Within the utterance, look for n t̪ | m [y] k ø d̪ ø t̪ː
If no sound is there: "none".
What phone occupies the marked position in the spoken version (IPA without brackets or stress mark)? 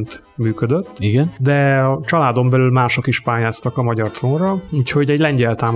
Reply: yː